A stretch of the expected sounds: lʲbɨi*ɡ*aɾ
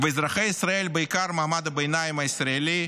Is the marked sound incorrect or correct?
incorrect